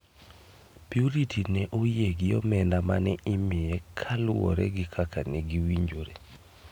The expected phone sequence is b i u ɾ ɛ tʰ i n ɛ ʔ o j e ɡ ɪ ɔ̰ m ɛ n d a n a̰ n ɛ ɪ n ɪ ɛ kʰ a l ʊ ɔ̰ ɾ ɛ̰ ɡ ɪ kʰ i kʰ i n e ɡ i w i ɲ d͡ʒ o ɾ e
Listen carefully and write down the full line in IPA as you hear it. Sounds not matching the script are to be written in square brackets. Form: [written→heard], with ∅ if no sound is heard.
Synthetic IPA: [b→p] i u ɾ [ɛ→i] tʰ i n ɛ ʔ o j e ɡ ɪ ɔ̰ m ɛ n d a [n→m] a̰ n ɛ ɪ [n→m] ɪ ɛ kʰ a l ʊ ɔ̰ ɾ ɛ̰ ɡ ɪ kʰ [i→a] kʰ [i→a] n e ɡ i w i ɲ d͡ʒ o ɾ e